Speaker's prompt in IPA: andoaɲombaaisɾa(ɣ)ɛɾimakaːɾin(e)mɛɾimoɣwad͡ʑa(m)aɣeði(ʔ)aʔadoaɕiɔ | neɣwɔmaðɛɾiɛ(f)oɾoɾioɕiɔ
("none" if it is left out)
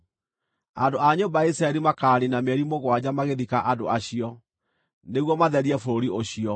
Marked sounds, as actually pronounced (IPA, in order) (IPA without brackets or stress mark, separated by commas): none, a, m, k, f